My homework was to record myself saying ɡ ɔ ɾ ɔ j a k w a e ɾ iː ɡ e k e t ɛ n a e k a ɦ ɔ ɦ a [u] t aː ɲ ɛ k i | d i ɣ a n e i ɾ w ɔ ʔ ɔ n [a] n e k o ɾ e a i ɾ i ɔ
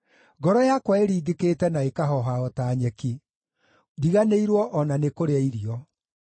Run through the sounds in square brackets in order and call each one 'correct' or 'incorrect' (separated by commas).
incorrect, correct